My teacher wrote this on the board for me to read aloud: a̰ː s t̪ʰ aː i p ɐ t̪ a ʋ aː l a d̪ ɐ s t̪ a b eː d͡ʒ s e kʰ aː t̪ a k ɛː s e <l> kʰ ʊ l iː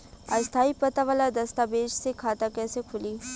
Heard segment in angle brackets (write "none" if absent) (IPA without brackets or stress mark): none